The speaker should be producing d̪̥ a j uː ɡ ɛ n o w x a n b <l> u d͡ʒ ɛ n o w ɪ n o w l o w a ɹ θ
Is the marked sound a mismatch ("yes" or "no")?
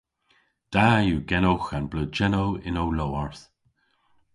no